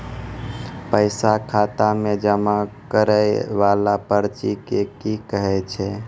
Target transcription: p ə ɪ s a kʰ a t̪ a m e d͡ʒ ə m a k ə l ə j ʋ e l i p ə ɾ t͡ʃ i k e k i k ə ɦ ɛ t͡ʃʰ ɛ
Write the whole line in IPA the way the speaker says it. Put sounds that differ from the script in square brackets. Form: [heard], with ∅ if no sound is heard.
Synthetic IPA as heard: p ə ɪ s a kʰ a t̪ a m e d͡ʒ ə m a k ə [ɾ] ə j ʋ [a] l [a] p ə ɾ t͡ʃ i k e k i k ə ɦ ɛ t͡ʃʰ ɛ